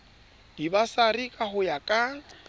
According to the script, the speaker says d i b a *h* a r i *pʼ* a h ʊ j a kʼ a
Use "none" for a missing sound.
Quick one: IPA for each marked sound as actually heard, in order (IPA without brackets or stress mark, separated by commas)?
s, kʼ